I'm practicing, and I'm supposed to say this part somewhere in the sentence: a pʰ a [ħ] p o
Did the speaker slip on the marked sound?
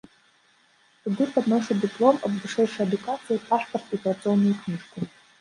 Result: no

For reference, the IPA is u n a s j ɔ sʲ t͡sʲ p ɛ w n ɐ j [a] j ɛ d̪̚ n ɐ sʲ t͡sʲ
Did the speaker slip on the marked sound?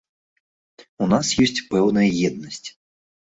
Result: yes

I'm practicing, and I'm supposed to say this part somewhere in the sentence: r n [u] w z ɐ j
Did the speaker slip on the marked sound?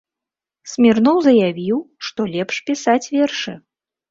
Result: yes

